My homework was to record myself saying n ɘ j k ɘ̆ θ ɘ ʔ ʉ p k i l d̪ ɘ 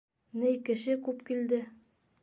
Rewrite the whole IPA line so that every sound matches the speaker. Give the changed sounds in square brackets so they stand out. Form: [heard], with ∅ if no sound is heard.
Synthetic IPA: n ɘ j k ɘ̆ [ʃ] ɘ [k] ʉ p k i l d̪ ɘ